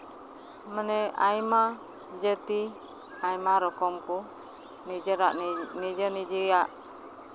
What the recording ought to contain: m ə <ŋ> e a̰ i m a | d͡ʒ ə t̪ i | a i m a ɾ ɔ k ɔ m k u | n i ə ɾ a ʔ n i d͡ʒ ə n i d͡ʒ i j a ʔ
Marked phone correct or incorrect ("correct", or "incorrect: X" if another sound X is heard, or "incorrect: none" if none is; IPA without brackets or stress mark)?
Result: incorrect: n